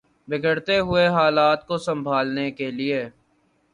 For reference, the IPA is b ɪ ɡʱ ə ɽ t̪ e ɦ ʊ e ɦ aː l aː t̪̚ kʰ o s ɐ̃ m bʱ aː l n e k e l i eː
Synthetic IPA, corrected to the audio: b ɪ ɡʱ ə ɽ t̪ e ɦ ʊ e ɦ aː l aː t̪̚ k o s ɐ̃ m bʱ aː l n e k e l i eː